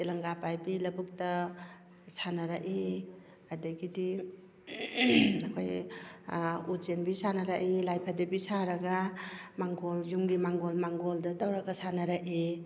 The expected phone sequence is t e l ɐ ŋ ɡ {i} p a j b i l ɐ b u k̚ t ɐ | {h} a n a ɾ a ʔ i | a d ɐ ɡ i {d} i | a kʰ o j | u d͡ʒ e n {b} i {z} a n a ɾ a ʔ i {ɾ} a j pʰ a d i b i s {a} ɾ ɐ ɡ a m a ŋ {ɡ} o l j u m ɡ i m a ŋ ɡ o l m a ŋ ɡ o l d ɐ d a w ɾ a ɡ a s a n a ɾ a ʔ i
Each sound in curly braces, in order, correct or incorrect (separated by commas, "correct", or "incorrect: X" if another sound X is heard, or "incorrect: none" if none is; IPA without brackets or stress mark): incorrect: a, incorrect: s, correct, correct, incorrect: s, incorrect: l, correct, correct